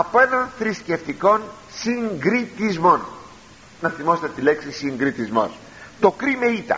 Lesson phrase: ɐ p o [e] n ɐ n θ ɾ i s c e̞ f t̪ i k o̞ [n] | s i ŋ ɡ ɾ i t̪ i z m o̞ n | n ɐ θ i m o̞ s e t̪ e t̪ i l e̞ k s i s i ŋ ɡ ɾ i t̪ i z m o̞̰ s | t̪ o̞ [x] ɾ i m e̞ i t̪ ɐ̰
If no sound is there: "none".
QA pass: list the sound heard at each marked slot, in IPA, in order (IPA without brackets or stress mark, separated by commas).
e, n, k